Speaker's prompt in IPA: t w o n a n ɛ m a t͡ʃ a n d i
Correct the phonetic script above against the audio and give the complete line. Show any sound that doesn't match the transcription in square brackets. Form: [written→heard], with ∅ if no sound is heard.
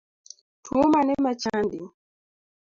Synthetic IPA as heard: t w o [n→m] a n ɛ m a t͡ʃ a n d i